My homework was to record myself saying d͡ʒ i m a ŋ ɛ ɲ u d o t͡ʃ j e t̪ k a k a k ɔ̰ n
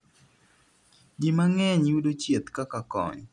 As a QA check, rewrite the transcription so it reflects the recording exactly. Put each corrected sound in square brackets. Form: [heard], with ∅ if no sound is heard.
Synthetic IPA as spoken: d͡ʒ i m a ŋ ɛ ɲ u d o t͡ʃ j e t̪ k a k a k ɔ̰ [ɲ]